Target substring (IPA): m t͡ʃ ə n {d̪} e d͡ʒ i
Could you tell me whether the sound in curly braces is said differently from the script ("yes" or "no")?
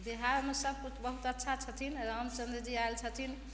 no